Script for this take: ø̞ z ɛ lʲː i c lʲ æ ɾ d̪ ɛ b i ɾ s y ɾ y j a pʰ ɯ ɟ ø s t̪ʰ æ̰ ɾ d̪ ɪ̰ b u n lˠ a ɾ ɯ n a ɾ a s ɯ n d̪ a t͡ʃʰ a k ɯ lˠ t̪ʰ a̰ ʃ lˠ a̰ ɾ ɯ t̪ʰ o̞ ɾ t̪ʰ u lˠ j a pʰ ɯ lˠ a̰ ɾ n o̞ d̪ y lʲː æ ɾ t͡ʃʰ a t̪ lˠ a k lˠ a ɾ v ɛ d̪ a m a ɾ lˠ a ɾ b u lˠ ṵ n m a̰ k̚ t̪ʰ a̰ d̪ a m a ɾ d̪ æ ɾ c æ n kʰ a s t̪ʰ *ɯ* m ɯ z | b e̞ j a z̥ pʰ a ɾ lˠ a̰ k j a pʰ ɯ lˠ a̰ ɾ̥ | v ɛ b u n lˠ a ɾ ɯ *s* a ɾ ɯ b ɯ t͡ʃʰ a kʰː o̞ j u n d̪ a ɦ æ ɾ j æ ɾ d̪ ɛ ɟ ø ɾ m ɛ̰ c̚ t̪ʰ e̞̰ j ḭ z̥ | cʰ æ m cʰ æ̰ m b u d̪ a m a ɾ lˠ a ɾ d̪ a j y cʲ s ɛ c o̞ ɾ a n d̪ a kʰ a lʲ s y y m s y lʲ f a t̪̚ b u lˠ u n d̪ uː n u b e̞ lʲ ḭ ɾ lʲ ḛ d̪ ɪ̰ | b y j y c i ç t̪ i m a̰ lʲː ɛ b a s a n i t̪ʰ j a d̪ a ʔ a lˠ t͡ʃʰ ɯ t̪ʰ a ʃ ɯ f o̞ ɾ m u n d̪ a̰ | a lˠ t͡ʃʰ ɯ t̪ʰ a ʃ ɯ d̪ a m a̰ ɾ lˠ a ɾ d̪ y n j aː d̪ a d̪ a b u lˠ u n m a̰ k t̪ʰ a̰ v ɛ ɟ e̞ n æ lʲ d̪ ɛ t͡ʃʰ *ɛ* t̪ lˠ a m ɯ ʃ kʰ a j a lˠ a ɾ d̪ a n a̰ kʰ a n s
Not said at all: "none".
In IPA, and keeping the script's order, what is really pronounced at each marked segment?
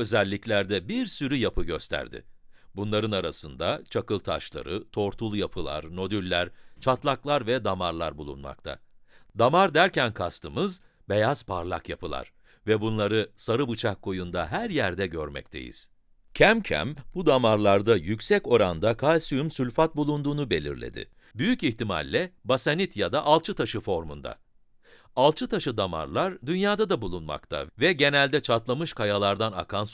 ɯ, s, a

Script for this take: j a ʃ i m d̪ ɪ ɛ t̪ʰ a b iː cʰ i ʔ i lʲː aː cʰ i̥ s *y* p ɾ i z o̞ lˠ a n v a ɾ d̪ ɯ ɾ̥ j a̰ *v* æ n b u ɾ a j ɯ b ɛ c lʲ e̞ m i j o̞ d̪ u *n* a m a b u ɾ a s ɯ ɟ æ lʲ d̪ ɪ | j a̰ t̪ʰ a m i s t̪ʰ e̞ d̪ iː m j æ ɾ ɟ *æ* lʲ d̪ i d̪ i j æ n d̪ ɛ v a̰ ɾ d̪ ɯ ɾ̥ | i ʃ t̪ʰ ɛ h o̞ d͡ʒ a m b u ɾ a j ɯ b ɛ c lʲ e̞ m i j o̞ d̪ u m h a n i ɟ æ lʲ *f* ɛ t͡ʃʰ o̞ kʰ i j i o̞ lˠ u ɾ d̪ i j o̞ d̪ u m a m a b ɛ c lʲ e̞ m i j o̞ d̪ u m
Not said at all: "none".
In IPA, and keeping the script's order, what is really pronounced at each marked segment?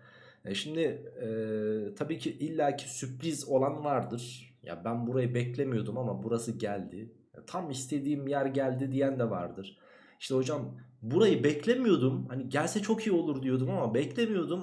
y, b, m, æ, s

